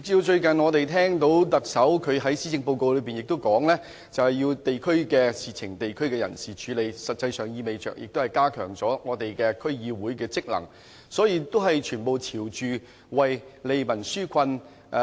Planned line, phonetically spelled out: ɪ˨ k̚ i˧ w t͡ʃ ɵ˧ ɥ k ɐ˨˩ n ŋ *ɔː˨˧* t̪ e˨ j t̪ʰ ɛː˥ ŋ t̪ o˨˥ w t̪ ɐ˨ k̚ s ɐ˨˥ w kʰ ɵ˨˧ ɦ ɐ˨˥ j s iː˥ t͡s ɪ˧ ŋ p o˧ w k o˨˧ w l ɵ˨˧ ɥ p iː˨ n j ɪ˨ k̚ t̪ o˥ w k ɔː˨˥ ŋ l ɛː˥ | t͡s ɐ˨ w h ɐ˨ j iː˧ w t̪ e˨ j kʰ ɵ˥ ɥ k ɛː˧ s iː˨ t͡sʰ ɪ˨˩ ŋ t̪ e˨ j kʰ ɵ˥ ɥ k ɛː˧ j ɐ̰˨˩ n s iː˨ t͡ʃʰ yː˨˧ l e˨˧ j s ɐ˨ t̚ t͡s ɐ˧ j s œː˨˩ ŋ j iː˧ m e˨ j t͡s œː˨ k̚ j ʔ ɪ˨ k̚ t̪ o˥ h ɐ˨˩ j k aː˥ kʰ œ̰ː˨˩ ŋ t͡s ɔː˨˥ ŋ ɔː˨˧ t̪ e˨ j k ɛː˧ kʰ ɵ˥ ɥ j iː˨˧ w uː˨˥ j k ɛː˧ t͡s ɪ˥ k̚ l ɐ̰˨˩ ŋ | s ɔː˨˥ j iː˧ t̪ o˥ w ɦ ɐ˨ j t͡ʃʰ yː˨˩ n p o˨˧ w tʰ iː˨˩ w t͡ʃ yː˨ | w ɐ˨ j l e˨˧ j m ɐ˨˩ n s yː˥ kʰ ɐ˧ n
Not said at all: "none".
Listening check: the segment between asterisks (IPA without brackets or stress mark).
ɔː˨˧